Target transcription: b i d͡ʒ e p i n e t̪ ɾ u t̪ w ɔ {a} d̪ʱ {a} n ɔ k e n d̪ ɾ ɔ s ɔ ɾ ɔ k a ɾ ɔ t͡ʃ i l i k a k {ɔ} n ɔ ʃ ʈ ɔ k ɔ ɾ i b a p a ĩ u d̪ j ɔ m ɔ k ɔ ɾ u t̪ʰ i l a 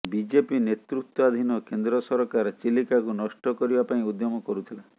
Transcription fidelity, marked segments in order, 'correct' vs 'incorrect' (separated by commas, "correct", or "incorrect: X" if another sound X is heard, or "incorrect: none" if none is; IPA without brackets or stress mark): correct, incorrect: i, incorrect: u